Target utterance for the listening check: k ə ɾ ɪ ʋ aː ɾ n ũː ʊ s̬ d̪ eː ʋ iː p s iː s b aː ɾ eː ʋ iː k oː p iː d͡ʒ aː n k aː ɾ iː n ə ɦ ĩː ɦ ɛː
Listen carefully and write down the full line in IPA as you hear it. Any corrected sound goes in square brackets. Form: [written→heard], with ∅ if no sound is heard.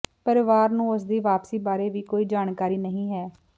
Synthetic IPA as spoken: [k→p] ə ɾ ɪ ʋ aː ɾ n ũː ʊ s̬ d̪ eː ʋ [iː→aː] p s iː [s→∅] b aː ɾ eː ʋ iː k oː [p→∅] iː d͡ʒ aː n k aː ɾ iː n ə ɦ ĩː ɦ ɛː